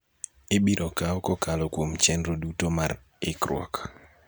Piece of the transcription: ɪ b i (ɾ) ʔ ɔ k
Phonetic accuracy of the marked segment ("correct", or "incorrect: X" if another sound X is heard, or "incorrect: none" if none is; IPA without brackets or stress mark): correct